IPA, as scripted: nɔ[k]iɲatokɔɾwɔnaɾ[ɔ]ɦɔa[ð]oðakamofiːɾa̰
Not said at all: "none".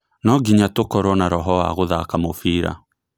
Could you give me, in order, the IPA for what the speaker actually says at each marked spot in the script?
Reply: ɡ, ɔ, ɣ

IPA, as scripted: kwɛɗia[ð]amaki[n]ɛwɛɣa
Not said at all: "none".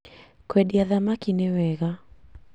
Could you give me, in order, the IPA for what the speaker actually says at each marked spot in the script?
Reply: ð, n

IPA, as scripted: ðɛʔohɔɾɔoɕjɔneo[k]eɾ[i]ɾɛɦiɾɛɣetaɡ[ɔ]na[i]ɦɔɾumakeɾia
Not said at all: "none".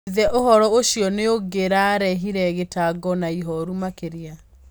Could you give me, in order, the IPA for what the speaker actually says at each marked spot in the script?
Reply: ɡ, a, ɔ, i

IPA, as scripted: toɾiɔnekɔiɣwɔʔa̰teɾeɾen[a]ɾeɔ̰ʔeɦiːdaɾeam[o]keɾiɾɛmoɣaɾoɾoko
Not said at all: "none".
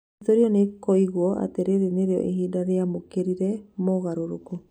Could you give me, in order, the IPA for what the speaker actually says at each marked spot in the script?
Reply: e, o

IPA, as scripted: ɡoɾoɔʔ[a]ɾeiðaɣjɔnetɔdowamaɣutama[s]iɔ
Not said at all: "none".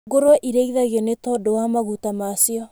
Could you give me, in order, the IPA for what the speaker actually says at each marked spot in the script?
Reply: i, s

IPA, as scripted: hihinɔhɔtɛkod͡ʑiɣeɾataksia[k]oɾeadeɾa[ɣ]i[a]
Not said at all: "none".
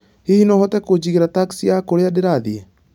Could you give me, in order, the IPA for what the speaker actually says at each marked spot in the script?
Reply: k, ð, ɛ

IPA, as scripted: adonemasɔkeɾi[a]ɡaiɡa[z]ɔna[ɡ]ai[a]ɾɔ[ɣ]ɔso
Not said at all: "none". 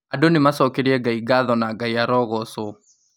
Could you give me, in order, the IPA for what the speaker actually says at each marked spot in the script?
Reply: ɛ, ð, ɡ, a, ɣ

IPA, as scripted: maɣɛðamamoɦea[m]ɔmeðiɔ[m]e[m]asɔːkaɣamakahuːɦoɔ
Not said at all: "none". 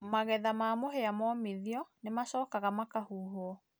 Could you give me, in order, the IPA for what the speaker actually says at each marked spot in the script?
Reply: m, n, m

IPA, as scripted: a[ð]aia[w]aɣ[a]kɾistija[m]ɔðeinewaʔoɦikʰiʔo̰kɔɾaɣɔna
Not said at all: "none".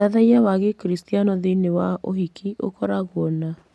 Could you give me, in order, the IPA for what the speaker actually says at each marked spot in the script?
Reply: ð, w, e, n

